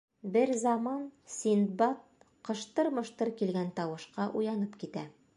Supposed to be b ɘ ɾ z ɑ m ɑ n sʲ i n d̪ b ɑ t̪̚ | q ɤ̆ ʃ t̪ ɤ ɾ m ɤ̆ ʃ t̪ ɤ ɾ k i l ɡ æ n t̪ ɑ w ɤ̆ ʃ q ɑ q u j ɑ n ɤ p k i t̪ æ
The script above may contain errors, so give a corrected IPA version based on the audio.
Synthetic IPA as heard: b ɘ ɾ z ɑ m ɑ n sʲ i n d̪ b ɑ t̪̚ | q ɤ̆ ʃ t̪ ɤ ɾ m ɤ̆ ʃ t̪ ɤ ɾ k i l ɡ æ n t̪ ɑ w ɤ̆ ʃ q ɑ ʔ u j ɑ n ɤ p k i t̪ æ